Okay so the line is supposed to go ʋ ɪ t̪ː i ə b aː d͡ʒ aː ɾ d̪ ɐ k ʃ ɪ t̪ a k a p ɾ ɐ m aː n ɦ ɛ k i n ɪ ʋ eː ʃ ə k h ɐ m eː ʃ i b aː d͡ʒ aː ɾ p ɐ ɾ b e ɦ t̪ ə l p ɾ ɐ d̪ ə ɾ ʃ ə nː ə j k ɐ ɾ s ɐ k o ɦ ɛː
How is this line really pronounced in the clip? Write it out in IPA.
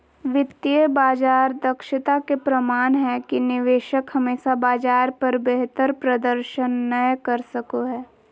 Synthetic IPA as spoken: ʋ ɪ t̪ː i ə b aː d͡ʒ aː ɾ d̪ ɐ k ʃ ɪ t̪ a k e p ɾ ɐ m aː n ɦ ɛ k i n ɪ ʋ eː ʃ ə k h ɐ m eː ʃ a b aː d͡ʒ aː ɾ p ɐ ɾ b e ɦ t̪ ə ɾ p ɾ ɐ d̪ ə ɾ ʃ ə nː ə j k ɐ ɾ s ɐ k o ɦ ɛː